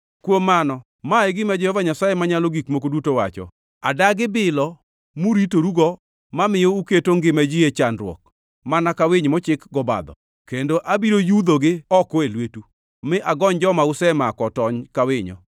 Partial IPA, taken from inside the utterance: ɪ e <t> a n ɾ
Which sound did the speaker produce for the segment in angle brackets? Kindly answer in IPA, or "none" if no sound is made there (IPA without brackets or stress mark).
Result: t͡ʃ